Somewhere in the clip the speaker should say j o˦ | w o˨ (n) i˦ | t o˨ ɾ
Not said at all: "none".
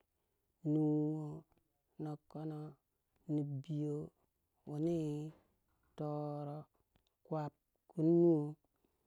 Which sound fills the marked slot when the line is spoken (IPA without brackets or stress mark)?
n